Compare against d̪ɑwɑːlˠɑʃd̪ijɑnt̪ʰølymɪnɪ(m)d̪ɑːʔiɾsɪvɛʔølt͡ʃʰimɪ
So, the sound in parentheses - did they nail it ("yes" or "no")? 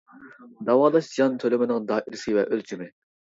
no